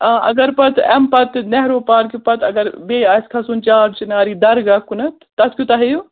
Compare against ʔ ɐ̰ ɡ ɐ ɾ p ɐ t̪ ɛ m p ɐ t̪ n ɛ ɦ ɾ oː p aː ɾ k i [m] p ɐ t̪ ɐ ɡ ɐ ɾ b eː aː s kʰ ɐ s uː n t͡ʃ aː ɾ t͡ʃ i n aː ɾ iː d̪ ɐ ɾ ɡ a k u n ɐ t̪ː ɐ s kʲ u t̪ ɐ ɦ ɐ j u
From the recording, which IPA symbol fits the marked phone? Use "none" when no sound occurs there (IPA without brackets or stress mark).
none